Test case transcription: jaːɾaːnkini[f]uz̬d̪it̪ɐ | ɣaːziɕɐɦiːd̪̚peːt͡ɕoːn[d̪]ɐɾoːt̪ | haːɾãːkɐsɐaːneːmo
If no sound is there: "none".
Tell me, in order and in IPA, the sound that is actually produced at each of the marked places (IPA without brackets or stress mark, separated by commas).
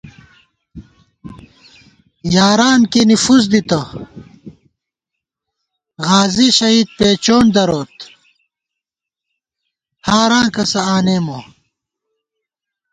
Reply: f, d̪